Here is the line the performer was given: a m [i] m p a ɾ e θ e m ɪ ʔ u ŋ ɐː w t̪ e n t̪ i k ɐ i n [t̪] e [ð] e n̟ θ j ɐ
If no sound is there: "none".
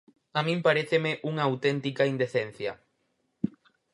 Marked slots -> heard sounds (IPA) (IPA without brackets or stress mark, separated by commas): ĩ, d̪, θ